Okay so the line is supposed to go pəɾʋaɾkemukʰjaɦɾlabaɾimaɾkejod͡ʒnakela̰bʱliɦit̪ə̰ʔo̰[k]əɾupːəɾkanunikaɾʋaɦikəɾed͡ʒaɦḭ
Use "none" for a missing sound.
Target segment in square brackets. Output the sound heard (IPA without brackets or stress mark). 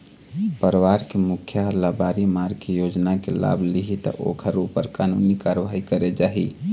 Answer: kʰ